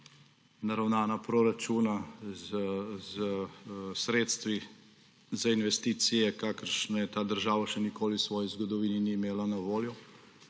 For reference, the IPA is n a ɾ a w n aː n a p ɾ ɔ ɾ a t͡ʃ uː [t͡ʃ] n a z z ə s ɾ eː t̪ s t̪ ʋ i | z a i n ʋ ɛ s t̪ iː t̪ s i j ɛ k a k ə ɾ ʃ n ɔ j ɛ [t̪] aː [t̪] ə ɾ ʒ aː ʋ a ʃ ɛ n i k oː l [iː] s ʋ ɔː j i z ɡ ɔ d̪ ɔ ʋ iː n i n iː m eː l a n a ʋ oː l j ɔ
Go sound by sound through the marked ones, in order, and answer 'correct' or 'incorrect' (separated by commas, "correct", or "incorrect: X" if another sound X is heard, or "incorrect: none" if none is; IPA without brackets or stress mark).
incorrect: none, correct, incorrect: d̪, incorrect: i